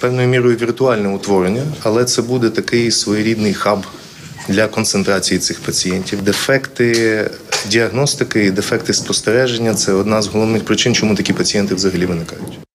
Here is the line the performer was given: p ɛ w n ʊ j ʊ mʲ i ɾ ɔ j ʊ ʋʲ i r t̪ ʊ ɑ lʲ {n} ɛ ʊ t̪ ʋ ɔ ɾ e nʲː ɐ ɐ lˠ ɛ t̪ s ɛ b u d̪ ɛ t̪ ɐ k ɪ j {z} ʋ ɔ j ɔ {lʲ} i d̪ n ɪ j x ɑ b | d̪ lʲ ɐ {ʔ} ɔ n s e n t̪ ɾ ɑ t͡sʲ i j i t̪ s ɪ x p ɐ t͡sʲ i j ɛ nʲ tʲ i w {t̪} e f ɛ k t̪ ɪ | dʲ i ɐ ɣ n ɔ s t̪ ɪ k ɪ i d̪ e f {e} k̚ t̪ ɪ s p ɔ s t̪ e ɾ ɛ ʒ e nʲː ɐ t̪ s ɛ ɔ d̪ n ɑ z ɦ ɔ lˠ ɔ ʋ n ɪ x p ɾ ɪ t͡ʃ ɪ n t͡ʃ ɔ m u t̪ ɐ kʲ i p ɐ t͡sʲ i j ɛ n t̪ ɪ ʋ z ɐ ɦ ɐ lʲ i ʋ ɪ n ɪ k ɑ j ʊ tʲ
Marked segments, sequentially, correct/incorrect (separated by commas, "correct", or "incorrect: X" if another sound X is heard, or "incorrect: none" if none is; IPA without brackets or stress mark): correct, incorrect: s, incorrect: ɾʲ, incorrect: k, incorrect: d̪, incorrect: ɛ